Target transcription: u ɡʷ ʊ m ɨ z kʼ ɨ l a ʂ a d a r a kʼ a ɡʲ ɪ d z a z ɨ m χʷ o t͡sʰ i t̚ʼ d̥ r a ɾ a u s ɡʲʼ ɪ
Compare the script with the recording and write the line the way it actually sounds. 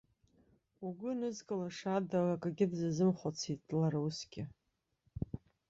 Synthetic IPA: u ɡʷ ʊ n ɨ z kʼ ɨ l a ʂ a d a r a kʼ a ɡʲ ɪ d z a z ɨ m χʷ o t͡sʰ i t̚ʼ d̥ l a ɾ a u s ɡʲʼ ɪ